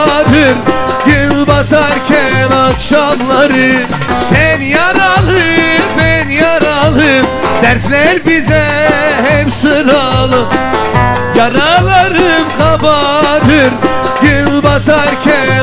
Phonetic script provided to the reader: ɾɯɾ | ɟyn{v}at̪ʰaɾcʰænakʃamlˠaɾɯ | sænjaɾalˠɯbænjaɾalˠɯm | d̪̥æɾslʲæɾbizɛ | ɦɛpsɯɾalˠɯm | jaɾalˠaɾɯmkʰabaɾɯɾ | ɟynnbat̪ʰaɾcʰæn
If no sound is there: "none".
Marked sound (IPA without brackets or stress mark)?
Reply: b